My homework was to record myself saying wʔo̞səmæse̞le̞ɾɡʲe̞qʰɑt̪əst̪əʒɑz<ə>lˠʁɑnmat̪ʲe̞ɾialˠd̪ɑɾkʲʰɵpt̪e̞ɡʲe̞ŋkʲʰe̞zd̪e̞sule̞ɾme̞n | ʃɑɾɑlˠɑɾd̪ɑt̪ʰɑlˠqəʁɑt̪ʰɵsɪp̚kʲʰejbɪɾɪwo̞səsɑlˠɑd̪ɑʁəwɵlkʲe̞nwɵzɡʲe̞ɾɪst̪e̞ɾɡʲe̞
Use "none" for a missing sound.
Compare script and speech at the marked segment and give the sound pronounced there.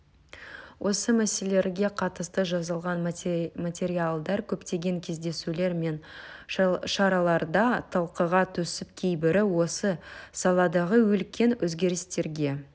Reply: ɑ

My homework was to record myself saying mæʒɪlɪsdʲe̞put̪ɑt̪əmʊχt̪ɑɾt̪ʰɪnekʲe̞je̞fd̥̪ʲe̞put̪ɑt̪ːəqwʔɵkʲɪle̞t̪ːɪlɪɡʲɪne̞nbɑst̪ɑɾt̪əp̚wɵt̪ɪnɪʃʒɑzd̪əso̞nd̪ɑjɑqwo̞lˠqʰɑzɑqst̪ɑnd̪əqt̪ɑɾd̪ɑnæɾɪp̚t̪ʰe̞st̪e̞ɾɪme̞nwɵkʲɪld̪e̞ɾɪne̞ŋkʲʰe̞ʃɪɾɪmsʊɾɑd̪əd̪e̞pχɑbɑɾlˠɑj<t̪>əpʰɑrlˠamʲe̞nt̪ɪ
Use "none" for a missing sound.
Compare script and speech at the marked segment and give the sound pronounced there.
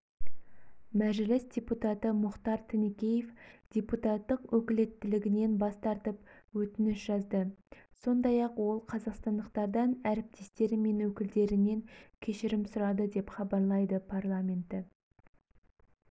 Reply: d̪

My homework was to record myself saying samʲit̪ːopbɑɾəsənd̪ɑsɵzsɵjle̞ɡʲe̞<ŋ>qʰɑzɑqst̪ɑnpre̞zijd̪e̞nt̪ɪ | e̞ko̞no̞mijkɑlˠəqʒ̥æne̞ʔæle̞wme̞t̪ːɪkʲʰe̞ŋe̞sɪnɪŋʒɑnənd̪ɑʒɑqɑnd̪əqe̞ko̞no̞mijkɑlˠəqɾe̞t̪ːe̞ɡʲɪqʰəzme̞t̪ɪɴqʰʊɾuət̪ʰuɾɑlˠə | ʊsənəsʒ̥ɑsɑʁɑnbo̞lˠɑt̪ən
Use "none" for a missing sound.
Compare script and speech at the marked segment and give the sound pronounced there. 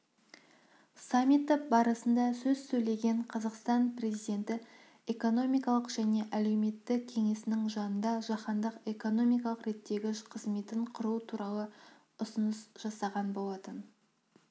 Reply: ɴ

